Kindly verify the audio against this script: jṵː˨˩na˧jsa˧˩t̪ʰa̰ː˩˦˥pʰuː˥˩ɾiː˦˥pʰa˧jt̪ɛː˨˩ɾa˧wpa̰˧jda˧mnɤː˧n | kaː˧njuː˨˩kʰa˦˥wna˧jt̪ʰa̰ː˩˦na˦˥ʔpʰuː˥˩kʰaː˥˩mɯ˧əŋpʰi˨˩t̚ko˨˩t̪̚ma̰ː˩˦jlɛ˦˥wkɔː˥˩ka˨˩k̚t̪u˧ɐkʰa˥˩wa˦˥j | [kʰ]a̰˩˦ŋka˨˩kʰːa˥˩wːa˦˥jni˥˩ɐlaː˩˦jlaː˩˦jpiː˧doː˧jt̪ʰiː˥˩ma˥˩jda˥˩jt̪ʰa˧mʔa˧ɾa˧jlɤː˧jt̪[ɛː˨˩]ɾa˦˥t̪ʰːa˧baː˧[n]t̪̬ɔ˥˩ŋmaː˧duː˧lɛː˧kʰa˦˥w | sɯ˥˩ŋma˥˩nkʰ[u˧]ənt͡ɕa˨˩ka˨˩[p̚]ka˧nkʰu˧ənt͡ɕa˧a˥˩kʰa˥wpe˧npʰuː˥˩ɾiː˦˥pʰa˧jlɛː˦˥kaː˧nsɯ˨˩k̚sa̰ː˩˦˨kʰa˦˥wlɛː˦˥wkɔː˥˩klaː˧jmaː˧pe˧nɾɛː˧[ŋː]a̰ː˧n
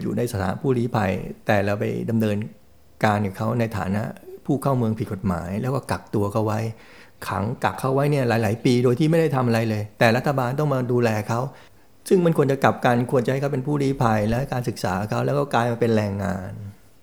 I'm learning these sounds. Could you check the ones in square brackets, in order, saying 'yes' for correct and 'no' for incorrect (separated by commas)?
yes, yes, yes, yes, yes, yes